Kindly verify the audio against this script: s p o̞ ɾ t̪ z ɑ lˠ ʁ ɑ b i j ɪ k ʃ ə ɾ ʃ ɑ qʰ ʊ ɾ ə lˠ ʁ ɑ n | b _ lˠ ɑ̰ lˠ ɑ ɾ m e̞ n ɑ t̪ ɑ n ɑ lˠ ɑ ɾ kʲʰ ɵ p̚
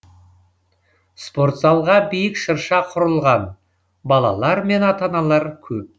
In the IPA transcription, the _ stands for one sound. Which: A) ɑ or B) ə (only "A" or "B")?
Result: A